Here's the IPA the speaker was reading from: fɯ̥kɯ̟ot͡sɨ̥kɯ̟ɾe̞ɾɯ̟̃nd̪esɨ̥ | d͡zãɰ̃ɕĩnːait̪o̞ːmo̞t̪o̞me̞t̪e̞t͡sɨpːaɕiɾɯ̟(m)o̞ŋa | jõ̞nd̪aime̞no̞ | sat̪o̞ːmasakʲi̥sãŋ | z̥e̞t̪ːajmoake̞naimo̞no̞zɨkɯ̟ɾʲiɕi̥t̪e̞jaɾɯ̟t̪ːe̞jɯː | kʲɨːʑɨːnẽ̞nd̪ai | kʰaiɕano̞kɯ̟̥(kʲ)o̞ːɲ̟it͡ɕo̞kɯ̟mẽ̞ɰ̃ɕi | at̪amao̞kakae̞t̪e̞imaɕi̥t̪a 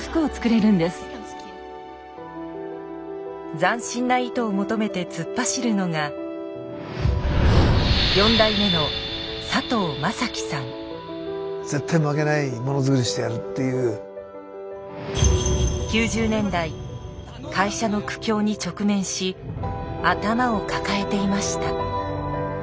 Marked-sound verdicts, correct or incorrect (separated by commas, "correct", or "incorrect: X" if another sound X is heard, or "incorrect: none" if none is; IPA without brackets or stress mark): incorrect: n, correct